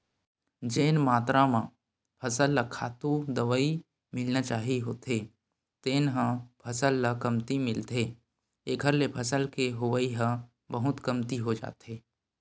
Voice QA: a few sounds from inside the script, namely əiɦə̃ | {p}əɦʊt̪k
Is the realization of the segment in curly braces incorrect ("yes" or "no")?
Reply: yes